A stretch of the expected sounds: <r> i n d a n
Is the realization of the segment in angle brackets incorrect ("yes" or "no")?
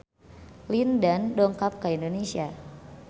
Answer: yes